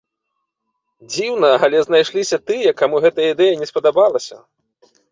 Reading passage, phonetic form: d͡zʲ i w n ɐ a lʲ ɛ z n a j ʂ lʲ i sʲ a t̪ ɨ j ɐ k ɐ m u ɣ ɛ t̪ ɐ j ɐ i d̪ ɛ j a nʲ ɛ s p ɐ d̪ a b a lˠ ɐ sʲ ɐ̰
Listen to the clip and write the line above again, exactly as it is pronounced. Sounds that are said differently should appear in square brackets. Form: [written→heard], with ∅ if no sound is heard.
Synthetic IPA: d͡zʲ i w n ɐ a lʲ ɛ z n a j ʂ lʲ i sʲ [a→ɐ] t̪ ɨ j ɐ k [ɐ→a] m u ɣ ɛ t̪ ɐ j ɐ i d̪ ɛ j [a→ɐ] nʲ ɛ s p ɐ d̪ a b a lˠ ɐ sʲ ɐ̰